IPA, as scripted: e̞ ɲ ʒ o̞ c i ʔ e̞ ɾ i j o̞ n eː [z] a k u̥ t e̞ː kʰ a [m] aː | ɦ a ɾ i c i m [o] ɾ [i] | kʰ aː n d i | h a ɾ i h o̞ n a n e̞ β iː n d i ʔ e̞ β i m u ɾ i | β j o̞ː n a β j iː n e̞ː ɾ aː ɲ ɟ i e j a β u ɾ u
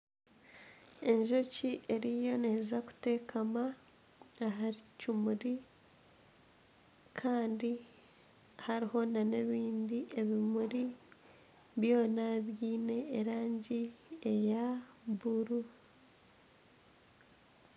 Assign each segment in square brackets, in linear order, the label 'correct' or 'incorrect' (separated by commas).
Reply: correct, correct, incorrect, correct